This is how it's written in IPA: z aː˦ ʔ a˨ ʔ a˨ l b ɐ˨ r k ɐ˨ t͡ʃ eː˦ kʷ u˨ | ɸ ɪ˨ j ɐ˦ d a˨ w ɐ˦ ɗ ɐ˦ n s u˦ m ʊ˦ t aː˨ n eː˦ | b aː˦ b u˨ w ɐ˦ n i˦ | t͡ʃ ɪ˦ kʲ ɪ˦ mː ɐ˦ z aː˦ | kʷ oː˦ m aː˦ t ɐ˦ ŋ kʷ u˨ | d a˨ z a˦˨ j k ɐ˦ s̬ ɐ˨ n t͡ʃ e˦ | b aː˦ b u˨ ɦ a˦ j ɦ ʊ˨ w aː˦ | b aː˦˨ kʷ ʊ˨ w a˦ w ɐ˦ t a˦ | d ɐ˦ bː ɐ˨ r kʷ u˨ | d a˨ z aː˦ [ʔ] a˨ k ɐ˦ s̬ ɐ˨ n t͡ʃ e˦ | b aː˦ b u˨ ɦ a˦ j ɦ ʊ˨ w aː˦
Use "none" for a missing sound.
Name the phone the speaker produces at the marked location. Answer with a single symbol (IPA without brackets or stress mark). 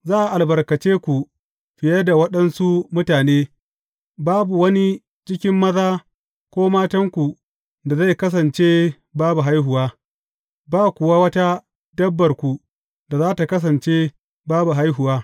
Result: t